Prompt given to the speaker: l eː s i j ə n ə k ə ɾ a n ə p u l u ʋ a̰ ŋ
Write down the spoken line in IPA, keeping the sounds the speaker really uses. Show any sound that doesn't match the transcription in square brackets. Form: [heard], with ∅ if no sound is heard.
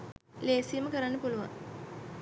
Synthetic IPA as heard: l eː s i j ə [m] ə k ə ɾ a [nː] ə p u l u ʋ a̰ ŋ